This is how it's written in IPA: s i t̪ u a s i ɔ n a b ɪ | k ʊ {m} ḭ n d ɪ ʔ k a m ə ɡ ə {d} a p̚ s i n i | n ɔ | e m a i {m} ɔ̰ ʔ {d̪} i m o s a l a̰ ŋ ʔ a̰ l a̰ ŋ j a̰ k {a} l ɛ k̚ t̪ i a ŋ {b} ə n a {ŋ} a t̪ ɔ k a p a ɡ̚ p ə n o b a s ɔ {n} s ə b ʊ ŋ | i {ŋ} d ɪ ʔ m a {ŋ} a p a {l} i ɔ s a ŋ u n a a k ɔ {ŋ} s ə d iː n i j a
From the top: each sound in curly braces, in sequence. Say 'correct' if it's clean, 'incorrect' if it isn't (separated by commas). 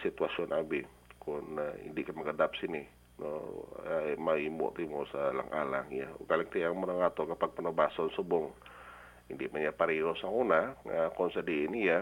incorrect, correct, correct, incorrect, correct, incorrect, correct, correct, incorrect, incorrect, incorrect, incorrect